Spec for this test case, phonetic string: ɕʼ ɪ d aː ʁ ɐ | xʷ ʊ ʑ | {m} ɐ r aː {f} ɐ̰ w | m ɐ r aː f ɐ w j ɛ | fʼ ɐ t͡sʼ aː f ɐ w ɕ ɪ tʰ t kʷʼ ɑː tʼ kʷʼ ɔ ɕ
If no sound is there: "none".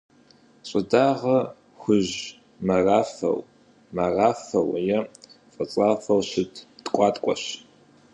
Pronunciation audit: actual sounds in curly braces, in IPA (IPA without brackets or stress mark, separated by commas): m, f